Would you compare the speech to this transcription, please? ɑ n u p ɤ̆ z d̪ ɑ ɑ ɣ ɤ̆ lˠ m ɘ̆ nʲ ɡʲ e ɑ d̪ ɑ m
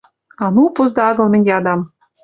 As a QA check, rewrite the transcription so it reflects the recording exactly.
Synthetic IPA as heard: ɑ n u p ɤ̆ z d̪ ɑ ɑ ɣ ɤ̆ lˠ m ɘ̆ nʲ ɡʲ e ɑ d̪ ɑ m